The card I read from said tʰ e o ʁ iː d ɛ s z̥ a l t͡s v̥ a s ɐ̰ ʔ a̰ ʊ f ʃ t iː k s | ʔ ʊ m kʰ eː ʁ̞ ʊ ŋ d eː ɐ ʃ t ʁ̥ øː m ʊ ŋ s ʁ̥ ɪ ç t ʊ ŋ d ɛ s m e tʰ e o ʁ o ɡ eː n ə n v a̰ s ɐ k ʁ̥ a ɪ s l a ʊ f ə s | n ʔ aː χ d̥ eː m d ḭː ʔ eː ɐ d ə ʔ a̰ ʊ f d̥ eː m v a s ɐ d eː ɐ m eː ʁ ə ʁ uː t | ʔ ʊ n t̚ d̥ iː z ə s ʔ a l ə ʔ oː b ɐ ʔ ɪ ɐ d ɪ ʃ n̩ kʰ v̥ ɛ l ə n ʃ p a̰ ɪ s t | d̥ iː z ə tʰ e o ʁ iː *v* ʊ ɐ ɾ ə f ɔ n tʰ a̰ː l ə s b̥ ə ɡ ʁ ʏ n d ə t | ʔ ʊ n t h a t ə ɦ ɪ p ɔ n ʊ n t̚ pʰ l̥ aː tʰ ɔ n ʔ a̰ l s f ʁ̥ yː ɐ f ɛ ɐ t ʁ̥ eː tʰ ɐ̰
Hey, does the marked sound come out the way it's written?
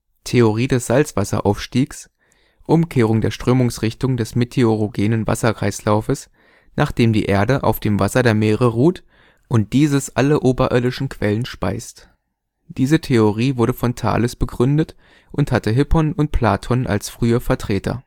yes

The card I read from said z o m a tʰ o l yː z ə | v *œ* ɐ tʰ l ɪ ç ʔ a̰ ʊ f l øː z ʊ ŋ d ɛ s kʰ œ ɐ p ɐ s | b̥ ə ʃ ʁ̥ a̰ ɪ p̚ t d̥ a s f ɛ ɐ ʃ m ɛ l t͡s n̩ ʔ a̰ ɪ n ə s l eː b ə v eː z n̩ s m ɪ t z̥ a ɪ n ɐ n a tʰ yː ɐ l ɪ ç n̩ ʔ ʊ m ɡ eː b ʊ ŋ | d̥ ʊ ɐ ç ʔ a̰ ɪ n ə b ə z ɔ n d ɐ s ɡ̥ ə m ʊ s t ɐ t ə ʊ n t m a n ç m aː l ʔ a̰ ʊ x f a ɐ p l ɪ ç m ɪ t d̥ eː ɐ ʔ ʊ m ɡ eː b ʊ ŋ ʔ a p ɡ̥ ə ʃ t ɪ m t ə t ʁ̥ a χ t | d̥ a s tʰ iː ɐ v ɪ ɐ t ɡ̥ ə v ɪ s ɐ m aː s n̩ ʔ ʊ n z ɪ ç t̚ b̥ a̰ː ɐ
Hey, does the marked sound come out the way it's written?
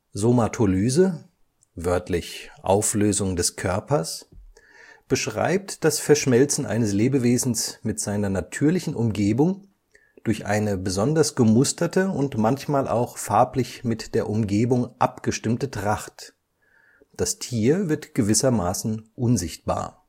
yes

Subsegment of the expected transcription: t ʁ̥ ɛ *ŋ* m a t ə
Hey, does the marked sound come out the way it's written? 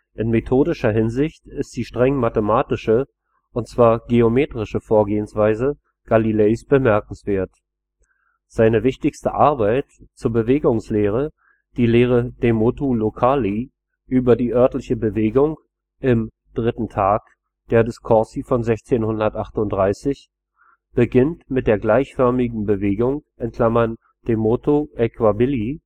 yes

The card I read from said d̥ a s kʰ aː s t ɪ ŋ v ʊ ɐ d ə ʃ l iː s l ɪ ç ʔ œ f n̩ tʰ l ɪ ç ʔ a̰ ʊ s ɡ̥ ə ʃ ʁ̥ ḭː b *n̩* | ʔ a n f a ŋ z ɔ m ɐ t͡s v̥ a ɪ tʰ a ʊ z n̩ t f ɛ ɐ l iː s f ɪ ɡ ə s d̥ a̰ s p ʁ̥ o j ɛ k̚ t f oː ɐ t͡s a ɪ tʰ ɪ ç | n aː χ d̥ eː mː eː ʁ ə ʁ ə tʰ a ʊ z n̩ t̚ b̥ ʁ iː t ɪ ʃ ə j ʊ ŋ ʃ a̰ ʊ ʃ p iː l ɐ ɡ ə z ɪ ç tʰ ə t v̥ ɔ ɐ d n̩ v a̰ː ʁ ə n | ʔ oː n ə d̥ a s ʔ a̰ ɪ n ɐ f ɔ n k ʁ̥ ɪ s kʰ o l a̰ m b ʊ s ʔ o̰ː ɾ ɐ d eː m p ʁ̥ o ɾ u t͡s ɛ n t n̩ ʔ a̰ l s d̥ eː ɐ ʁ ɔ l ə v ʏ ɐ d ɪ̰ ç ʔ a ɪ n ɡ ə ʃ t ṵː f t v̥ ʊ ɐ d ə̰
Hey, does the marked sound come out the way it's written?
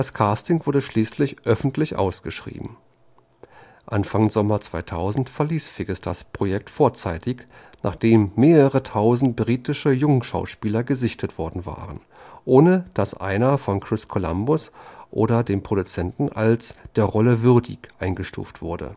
no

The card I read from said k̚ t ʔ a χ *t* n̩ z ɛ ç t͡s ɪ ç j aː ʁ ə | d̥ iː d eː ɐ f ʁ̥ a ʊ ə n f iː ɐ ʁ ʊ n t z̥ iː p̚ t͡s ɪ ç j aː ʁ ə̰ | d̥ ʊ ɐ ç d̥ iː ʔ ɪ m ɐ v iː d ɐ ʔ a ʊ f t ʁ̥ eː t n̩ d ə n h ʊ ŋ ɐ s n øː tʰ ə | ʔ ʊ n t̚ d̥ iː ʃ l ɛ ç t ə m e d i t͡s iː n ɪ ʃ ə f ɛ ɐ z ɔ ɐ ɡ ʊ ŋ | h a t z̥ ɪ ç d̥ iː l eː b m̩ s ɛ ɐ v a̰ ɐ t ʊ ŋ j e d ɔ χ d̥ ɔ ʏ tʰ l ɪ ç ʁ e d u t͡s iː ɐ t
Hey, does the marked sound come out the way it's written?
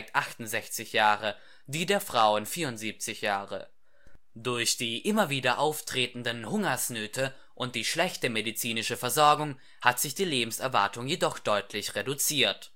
yes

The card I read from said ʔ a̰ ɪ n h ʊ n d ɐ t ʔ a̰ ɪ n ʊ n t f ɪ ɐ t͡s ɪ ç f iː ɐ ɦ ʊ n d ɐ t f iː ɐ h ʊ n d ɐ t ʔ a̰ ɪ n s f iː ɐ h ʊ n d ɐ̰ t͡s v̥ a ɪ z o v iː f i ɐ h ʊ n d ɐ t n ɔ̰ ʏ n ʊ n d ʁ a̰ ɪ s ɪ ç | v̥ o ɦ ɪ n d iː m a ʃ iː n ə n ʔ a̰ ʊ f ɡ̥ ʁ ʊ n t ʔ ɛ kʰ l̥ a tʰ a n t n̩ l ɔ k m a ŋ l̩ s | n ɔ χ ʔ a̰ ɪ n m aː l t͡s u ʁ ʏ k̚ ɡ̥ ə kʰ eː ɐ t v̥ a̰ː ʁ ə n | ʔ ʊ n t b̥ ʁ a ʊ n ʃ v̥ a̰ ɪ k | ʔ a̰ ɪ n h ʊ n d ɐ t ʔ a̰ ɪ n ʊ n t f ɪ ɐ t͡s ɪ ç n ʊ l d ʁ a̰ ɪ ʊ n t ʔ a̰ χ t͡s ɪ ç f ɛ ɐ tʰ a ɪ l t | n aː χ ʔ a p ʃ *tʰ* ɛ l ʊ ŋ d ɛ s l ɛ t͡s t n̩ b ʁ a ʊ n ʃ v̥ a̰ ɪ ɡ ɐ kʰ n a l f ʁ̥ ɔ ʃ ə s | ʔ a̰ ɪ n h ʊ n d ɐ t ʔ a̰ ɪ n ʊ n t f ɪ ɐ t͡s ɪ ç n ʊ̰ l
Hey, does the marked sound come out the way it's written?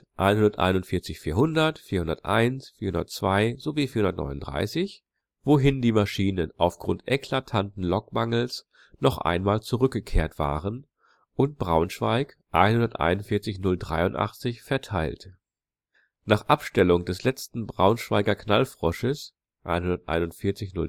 no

